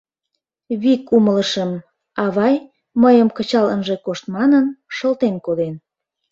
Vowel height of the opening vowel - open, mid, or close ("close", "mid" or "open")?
close